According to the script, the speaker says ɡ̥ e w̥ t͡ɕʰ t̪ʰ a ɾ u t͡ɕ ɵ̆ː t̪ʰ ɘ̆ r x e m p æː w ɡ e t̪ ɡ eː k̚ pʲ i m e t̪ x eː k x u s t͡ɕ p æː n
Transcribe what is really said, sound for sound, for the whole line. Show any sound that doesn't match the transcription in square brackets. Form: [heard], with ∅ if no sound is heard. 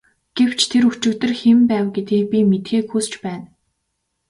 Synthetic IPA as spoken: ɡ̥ e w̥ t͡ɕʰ t̪ʰ [e] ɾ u t͡ɕ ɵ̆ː [t̪] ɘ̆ r x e m p æː w ɡ e t̪ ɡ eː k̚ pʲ i m e t̪ x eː k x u s t͡ɕ p æː n